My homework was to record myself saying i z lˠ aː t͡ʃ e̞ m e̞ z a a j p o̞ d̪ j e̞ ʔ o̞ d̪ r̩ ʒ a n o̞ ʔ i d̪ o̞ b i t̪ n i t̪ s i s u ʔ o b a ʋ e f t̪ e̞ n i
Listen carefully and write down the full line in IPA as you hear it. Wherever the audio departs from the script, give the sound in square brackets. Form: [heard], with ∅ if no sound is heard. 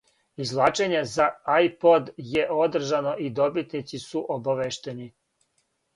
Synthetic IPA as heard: i z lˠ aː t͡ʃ e̞ [ɲ] e̞ z a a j p o̞ d̪ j e̞ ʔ o̞ d̪ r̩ ʒ a n o̞ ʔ i d̪ o̞ b i t̪ n i t̪ s i s u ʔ o b a ʋ e [ʃ] t̪ e̞ n i